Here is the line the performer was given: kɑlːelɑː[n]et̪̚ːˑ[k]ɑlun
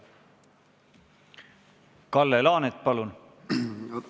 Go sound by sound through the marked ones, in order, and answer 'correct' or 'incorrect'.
correct, incorrect

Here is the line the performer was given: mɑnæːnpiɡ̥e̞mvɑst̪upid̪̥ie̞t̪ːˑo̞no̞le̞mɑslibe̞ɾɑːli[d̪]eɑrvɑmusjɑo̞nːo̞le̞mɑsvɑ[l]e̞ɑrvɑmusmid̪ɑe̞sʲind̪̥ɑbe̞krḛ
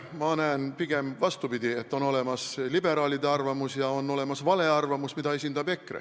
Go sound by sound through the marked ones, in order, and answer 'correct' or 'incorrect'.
correct, correct

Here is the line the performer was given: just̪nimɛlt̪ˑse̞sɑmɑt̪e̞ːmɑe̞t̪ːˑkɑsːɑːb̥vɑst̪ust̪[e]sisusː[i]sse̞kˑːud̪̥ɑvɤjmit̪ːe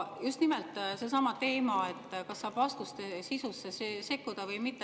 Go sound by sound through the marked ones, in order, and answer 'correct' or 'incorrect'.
correct, incorrect

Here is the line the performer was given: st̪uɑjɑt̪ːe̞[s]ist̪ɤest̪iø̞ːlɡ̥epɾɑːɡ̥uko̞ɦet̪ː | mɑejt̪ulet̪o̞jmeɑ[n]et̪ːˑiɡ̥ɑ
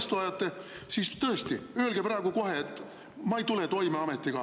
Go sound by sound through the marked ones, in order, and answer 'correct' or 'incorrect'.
correct, incorrect

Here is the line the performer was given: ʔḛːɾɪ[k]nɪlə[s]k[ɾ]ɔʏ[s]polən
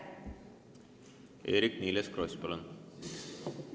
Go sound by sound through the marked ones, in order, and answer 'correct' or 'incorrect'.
correct, correct, correct, correct

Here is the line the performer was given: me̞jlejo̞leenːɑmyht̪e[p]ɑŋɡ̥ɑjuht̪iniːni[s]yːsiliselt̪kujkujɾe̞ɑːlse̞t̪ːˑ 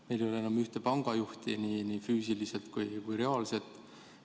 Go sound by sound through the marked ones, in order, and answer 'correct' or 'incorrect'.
correct, incorrect

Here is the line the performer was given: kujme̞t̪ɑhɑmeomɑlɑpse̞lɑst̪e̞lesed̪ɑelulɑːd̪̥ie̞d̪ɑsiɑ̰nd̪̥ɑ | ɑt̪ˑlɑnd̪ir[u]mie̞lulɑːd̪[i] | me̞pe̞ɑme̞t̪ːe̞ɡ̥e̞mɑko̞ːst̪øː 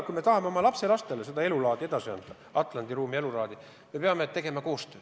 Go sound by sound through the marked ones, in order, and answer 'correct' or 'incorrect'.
incorrect, correct

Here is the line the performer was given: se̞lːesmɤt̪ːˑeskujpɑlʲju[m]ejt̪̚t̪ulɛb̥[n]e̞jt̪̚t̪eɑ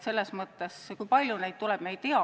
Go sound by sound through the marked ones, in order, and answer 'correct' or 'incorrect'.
incorrect, incorrect

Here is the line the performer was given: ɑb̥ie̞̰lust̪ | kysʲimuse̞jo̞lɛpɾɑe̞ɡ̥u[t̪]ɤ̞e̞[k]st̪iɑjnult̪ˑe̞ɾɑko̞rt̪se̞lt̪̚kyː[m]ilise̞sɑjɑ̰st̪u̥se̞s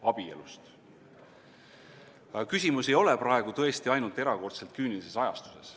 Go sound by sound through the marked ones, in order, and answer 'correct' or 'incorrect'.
correct, incorrect, incorrect

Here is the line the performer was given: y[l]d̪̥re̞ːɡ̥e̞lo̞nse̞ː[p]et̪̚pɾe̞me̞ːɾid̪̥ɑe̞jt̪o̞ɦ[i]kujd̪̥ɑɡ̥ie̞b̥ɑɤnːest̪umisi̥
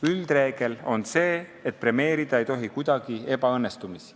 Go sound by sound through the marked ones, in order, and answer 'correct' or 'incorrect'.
correct, incorrect, correct

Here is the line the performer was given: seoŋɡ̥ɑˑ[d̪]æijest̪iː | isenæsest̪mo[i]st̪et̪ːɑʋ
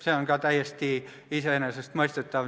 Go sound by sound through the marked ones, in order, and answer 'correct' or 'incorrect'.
incorrect, correct

